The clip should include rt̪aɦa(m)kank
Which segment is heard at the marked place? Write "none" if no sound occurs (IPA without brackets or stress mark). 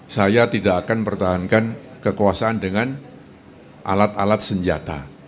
n